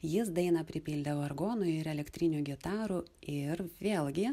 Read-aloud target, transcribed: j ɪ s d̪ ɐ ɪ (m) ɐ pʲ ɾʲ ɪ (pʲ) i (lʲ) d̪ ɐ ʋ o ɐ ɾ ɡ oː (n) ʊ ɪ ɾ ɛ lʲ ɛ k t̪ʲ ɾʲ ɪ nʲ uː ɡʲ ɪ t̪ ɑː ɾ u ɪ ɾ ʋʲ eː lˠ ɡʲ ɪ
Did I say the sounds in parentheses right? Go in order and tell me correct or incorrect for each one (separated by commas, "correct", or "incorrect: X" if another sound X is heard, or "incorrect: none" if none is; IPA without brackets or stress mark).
incorrect: n, correct, correct, correct